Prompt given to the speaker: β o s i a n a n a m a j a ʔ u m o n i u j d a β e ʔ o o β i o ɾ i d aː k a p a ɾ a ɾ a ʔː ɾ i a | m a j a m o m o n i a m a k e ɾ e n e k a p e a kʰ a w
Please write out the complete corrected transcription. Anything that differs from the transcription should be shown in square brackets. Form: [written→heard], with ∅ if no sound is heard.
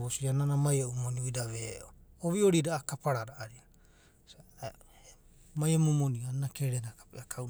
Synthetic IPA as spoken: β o s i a n a n a m a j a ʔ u m o n i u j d a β e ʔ o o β i o ɾ i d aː k a p a ɾ a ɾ a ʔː ɾ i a | m a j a m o m o n i a [m→n] a k e ɾ e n [e→a] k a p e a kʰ a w